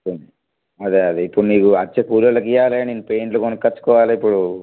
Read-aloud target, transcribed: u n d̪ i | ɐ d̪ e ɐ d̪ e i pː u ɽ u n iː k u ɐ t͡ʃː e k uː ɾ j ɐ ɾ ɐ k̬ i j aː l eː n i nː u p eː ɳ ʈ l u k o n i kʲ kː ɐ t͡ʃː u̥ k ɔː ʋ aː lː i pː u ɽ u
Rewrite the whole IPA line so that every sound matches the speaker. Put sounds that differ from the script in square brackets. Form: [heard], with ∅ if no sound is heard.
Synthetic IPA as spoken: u n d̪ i | ɐ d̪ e ɐ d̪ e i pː u ɽ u n iː k u ɐ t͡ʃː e k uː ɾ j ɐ [l] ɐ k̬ i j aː l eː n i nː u p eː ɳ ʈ l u k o n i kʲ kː ɐ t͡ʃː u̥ k ɔː ʋ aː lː i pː u ɽ u